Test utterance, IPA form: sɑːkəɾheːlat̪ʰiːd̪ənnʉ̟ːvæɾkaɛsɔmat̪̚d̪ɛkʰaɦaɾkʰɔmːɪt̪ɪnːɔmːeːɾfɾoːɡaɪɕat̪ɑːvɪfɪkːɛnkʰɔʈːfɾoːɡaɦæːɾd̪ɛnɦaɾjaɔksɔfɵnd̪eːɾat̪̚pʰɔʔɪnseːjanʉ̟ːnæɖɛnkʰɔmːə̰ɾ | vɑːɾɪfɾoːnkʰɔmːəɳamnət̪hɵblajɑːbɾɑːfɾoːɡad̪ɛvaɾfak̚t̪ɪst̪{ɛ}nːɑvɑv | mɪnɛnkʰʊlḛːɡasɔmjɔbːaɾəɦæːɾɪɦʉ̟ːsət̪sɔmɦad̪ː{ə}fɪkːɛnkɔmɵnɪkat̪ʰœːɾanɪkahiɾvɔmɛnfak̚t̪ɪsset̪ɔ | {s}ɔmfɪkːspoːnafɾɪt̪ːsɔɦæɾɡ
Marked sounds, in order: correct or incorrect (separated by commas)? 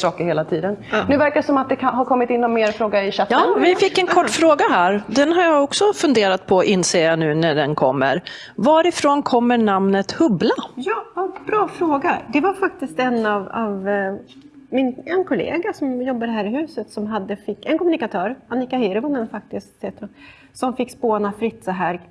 correct, correct, correct